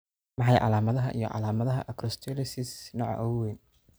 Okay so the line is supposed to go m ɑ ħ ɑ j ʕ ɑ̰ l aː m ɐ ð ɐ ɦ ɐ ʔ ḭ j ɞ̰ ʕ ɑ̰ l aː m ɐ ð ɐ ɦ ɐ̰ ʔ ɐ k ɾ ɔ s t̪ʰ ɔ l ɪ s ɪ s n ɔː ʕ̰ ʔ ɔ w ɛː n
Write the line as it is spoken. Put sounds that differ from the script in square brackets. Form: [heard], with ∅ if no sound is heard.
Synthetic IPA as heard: m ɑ ħ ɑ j ʕ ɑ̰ l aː m ɐ ð ɐ ɦ ɐ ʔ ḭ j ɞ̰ ʕ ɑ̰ l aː m ɐ ð ɐ ɦ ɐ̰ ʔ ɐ k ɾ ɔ s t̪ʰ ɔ l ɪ s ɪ s n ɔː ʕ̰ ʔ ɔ w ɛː n